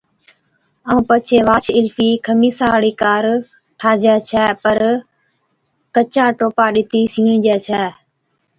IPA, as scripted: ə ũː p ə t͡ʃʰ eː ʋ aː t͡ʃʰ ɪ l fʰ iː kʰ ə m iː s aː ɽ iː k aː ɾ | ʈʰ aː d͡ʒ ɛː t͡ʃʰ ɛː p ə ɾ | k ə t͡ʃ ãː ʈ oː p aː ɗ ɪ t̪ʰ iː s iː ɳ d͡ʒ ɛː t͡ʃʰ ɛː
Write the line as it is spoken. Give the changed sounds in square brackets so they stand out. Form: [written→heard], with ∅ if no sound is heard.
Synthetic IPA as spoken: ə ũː p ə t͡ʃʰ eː ʋ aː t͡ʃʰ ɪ l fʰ iː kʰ ə m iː s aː ɽ iː k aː ɾ | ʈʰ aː d͡ʒ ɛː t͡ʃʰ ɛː p ə ɾ | k ə t͡ʃ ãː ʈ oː p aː ɗ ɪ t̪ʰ iː s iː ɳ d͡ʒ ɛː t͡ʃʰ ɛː